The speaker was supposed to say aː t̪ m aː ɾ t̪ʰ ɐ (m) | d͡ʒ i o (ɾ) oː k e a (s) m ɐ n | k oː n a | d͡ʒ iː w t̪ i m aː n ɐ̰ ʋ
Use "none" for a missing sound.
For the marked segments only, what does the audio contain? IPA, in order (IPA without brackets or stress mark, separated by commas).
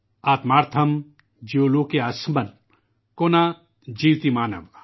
m, l, s